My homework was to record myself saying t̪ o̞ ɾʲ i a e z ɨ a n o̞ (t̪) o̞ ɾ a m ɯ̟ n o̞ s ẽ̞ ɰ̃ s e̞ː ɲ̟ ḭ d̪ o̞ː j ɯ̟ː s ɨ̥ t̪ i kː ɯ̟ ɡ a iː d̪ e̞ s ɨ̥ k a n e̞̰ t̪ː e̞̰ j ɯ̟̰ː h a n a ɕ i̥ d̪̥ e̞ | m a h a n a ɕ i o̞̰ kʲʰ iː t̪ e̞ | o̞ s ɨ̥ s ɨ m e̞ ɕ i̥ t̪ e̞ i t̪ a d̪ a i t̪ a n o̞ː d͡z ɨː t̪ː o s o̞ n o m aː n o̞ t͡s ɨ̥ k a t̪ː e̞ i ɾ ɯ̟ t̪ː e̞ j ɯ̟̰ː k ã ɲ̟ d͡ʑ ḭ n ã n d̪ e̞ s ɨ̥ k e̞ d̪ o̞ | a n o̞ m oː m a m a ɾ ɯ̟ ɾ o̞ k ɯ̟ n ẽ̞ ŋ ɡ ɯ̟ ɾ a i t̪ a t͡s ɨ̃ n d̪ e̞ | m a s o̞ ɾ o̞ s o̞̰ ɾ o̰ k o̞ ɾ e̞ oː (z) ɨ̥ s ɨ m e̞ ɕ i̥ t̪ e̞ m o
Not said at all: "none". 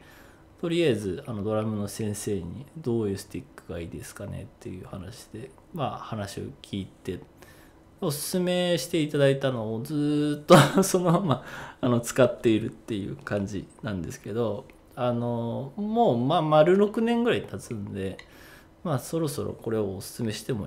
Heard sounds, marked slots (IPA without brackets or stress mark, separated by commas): d̪, s